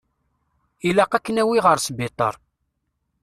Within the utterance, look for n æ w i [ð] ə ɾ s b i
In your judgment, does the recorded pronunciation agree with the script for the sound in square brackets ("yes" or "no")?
no